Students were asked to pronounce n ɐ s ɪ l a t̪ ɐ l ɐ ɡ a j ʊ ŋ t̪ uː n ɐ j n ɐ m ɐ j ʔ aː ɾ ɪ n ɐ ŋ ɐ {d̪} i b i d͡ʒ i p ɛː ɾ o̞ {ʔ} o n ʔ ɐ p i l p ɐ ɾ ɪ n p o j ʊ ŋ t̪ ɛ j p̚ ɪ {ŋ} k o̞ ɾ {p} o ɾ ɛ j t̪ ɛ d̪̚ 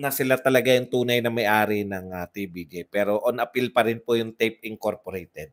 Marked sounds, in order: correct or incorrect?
incorrect: t̪, correct, correct, correct

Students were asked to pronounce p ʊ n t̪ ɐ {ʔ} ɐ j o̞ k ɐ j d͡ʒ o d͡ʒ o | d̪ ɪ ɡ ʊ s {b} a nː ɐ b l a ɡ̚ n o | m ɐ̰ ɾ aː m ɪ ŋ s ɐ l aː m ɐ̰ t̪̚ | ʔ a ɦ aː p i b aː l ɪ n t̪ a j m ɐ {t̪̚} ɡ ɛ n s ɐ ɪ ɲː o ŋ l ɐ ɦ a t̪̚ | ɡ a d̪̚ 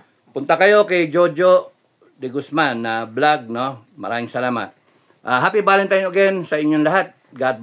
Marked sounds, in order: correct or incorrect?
incorrect: k, incorrect: m, incorrect: none

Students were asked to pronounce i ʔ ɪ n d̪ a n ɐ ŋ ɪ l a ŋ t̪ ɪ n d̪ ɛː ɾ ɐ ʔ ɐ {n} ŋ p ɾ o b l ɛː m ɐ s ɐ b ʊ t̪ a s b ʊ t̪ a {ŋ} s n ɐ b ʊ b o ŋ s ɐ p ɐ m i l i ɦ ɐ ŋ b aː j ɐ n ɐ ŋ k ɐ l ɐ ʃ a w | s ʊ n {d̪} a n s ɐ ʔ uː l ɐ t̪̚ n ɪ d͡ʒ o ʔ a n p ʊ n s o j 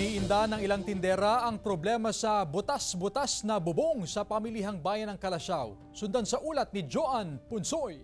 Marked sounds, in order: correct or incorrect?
incorrect: none, incorrect: none, correct

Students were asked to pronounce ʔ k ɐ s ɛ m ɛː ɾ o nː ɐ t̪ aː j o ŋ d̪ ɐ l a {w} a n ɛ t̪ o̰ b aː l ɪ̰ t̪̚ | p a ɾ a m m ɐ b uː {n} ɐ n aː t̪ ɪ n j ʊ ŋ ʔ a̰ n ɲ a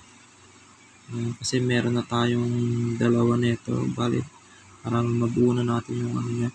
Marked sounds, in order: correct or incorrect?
correct, correct

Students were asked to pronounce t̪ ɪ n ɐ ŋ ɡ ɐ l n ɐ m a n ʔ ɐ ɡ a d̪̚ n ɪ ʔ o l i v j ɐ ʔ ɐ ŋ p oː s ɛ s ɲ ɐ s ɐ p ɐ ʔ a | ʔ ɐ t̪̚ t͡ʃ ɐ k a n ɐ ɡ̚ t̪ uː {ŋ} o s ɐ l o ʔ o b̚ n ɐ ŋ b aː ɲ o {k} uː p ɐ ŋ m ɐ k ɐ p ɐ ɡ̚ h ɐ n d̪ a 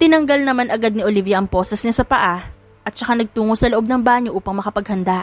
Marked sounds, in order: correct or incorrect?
correct, incorrect: ʔ

